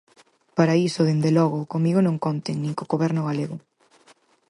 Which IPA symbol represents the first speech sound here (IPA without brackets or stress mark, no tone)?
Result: p